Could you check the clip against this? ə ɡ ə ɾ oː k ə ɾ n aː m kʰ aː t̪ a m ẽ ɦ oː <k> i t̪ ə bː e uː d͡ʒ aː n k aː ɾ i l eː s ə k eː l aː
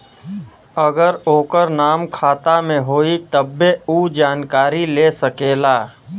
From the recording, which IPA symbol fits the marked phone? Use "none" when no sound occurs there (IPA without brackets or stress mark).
none